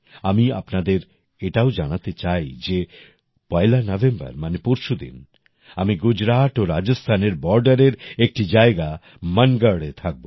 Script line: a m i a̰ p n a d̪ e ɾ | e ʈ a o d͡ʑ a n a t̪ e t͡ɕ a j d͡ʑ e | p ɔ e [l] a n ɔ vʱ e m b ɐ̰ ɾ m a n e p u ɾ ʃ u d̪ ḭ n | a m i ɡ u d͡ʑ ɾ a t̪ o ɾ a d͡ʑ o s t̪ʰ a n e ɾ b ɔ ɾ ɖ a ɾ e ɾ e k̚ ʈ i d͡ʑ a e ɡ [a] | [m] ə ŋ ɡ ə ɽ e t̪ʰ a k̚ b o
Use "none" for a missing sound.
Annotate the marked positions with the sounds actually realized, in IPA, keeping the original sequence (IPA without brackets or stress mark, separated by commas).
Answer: l, a, m